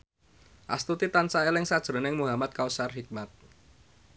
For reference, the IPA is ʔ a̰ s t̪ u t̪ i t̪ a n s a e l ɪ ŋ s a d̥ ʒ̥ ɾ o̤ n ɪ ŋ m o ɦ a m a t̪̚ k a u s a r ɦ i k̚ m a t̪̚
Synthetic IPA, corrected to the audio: ʔ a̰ s t̪ u t̪ i t̪ a n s a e l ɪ ŋ s a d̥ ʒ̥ ɾ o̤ n ɪ ŋ m u ɦ a m a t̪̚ k a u s a r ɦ i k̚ m a t̪̚